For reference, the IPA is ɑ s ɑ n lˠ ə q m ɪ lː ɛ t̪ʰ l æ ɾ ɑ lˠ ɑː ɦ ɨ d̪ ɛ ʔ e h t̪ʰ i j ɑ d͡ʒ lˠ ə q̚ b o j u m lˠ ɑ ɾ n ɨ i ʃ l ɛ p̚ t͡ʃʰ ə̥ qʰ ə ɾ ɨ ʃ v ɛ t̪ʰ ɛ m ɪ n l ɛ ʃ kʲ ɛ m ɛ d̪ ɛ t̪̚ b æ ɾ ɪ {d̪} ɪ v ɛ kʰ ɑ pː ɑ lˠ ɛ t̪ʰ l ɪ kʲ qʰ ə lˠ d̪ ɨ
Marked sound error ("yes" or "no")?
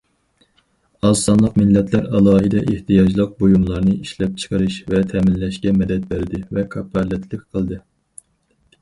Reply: no